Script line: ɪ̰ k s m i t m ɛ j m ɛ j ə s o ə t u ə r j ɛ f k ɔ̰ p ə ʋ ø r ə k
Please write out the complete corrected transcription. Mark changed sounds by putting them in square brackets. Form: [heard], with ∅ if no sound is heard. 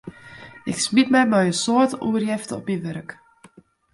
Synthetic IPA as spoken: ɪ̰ k s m i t m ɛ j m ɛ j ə s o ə t u ə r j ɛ f [t] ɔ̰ p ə ʋ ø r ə k